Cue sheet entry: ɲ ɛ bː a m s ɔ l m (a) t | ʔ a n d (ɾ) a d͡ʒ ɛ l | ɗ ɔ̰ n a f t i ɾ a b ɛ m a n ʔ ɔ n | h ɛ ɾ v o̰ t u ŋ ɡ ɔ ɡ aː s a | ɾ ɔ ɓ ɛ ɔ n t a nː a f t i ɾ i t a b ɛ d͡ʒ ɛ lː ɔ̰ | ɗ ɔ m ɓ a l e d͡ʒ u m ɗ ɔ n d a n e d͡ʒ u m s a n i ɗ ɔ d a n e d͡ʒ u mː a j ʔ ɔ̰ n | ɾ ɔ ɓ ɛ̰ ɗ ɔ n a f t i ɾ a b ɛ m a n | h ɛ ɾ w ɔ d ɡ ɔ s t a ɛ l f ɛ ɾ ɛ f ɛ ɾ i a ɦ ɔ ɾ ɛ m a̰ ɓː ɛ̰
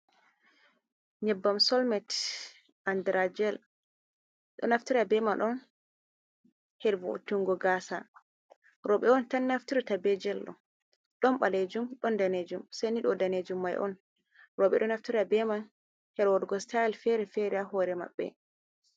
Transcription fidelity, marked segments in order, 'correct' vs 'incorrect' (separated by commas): incorrect, correct